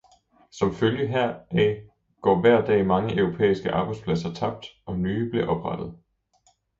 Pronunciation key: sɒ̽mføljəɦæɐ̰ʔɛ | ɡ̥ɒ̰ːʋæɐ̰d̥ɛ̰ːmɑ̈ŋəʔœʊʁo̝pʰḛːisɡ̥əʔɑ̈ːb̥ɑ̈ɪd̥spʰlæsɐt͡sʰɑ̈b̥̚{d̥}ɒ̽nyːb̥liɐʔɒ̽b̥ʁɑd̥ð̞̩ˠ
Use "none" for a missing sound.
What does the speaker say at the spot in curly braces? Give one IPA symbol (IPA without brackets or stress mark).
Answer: d̥